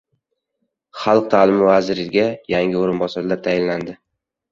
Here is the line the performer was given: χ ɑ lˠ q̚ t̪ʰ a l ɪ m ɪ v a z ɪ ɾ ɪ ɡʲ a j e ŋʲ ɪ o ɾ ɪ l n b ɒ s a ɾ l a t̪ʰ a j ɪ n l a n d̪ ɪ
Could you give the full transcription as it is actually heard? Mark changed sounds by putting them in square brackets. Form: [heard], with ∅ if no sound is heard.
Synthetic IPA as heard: χ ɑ lˠ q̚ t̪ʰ a l ɪ m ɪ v a z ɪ ɾ ɪ ɡʲ a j [a] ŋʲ ɪ o ɾ ɪ [∅] n b ɒ s a ɾ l a t̪ʰ a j ɪ n l a n d̪ ɪ